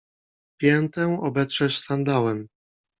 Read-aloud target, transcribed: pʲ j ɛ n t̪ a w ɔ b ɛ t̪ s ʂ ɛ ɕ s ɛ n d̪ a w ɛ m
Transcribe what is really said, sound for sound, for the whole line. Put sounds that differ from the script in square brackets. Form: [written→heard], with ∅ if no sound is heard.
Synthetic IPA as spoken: pʲ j ɛ n t̪ [a→ɛ] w ɔ b ɛ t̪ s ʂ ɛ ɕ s [ɛ→a] n d̪ a w ɛ m